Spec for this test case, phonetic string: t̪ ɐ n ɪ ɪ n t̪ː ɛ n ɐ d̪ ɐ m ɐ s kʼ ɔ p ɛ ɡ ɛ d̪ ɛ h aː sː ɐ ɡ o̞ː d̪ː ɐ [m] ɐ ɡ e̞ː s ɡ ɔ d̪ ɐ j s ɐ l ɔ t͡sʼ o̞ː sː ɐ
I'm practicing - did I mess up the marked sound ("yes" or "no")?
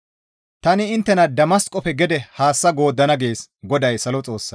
yes